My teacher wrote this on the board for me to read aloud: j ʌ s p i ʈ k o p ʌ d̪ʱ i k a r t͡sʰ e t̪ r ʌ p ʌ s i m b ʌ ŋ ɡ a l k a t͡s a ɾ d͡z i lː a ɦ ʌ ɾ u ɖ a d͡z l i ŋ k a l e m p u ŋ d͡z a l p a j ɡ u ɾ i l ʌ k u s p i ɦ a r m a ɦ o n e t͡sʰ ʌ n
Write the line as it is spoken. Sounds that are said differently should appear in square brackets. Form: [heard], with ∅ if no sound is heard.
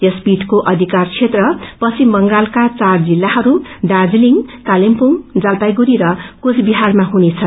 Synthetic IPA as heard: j ʌ s p i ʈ k o [ʔ] ʌ d̪ʱ i k a r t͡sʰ e t̪ r ʌ p ʌ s i m b ʌ ŋ ɡ a l k a t͡s a [r] d͡z i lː a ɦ ʌ ɾ u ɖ a d͡z l i ŋ k a l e m p u ŋ d͡z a l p a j ɡ u ɾ i [ɾ] ʌ k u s [b] i ɦ a r m a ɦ [u] n e t͡sʰ ʌ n